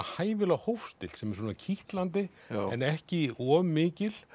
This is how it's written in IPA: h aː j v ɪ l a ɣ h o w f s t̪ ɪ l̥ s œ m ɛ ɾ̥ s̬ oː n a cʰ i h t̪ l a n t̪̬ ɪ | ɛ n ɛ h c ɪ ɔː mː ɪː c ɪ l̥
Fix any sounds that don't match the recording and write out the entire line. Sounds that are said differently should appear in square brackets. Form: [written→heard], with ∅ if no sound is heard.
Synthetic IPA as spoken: h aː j v ɪ l a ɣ h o w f s t̪ ɪ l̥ s [œ→ɛ] m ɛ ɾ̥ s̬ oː n a cʰ i h t̪ l a n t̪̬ ɪ | ɛ n ɛ h c ɪ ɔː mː ɪː c ɪ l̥